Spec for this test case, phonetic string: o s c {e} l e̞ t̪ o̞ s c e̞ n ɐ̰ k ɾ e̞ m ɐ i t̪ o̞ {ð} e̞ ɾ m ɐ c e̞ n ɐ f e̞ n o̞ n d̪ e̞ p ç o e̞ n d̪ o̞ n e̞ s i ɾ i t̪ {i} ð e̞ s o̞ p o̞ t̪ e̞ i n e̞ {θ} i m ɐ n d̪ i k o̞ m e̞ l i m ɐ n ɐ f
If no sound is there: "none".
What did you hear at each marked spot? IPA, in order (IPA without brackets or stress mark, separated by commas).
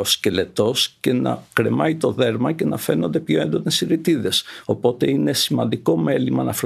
e, ð, i, s